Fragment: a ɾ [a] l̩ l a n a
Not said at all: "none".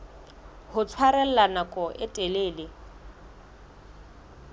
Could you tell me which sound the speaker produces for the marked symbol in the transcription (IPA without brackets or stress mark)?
ɛ